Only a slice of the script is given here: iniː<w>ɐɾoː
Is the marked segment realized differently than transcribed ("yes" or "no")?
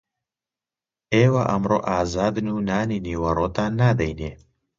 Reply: no